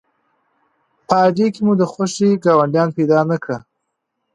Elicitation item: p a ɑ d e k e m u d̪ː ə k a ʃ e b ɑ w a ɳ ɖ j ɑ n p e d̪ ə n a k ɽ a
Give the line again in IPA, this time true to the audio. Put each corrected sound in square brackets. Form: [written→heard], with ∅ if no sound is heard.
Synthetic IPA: p [a→ə] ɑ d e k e m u [d̪ː→d̪] ə [k→x] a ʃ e [b→ɡ] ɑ w a ɳ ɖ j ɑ n p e d̪ [ə→ɑ] n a k ɽ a